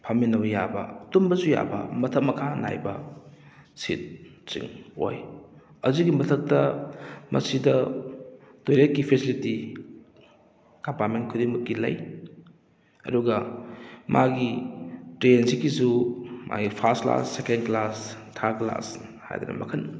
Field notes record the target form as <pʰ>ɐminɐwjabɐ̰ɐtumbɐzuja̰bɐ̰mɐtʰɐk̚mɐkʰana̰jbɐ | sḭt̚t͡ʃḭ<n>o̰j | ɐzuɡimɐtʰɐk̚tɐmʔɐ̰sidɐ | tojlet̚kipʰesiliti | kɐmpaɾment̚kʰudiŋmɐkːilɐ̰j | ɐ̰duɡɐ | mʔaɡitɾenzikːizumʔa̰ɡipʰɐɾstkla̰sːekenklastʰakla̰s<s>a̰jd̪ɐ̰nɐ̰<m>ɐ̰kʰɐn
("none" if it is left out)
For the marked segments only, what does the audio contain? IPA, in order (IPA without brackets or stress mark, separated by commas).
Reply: pʰ, ŋ, h, m